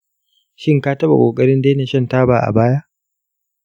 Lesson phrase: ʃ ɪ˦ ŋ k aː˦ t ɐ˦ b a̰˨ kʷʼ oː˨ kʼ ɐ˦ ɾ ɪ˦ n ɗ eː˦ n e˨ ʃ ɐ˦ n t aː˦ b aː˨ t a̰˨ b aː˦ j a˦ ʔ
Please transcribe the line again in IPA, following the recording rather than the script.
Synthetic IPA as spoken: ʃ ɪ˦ ŋ k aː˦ t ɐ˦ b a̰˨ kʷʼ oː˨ kʼ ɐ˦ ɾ ɪ˦ n d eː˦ n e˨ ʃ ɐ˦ n t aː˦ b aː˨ ʔ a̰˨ b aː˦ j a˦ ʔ

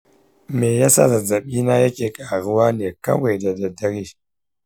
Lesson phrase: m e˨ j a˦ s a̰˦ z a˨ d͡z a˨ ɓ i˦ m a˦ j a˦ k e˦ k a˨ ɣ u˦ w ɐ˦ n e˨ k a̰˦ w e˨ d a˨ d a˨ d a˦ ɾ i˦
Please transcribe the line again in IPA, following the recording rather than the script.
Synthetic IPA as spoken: m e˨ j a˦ s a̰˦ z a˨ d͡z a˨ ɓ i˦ n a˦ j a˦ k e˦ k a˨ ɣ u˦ w a˦ n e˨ k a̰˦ w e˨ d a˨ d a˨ d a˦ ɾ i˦

